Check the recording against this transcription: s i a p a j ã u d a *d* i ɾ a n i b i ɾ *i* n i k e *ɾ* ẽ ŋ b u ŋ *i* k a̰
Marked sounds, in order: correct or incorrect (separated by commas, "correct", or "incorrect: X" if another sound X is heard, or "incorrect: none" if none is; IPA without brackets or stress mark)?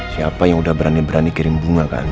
incorrect: b, incorrect: a, correct, incorrect: a